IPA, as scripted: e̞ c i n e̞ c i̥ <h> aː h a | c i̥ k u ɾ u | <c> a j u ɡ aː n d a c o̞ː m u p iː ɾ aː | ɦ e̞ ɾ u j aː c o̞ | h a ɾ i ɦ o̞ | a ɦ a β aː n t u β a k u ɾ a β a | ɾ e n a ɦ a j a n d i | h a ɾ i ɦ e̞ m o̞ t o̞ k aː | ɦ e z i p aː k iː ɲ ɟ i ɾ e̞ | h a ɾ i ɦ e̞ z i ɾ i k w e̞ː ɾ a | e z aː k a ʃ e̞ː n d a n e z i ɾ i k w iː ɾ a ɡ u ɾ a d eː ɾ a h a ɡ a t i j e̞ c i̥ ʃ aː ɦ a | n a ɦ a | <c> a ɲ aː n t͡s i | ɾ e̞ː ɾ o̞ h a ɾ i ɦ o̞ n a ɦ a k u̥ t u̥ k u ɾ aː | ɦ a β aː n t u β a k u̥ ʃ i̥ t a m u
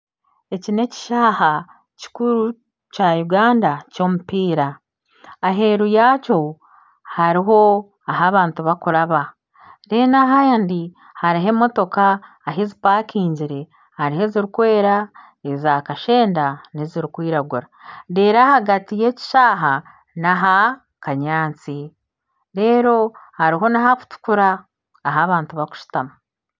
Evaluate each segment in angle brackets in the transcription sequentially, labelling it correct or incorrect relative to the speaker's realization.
incorrect: ʃ, correct, incorrect: k

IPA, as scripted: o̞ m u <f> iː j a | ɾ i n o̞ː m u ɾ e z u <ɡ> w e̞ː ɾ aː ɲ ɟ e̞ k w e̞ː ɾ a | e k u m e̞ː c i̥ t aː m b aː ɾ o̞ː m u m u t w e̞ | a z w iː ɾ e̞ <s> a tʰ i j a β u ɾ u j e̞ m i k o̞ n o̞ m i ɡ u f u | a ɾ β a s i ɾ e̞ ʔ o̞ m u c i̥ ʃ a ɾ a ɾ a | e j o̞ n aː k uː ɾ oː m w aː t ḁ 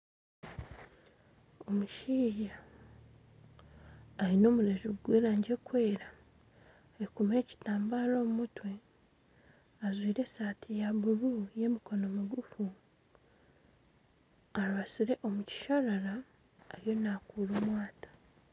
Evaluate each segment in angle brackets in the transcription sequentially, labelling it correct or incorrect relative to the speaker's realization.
incorrect: ʃ, correct, correct

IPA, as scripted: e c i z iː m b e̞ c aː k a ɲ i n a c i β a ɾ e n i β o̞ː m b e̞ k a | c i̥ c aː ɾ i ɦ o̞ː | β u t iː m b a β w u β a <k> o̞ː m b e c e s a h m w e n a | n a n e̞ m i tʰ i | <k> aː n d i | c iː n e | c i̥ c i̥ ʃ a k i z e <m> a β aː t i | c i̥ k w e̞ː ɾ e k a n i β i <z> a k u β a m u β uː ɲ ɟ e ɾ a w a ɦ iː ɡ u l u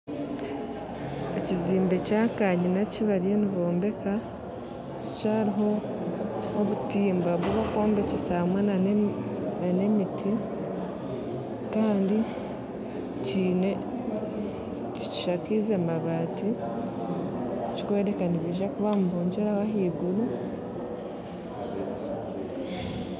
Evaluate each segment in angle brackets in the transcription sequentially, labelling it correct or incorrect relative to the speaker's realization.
correct, correct, correct, incorrect: ʒ

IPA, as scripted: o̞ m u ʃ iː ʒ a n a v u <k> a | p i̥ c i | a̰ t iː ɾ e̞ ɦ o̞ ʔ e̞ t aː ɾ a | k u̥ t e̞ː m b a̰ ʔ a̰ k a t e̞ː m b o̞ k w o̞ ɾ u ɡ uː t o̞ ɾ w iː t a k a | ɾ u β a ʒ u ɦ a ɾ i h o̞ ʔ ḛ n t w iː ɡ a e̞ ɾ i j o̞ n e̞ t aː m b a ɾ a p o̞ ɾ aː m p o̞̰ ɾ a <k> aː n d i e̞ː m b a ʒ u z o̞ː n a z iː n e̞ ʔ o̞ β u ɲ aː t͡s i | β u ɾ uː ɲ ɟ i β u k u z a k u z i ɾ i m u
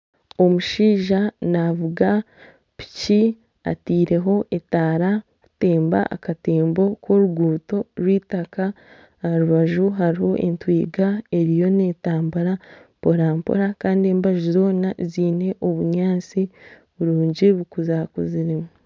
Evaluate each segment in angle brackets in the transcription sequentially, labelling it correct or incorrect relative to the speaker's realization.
incorrect: ɡ, correct

